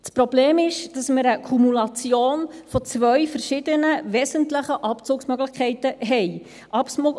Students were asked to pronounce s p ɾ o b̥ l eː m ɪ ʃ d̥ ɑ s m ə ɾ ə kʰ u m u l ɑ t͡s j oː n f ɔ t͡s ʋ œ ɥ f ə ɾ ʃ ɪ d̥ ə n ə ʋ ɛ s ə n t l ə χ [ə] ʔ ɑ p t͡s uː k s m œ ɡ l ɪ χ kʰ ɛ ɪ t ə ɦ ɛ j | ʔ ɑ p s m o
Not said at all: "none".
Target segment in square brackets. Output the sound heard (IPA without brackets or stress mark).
ə